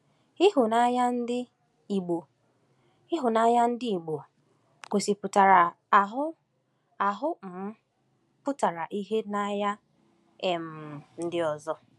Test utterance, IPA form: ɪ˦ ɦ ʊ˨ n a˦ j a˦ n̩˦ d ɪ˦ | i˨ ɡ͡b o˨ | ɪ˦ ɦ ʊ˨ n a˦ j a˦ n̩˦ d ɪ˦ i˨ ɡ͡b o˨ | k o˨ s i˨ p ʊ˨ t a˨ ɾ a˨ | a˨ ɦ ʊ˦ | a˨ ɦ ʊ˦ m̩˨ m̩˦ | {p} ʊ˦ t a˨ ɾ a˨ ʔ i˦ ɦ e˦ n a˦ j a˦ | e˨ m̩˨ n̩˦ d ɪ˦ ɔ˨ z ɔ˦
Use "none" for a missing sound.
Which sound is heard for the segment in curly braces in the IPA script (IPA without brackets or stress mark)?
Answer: p